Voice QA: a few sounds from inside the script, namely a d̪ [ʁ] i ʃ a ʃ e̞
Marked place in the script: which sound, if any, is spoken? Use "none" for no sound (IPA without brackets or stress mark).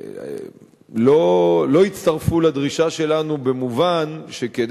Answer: ʁ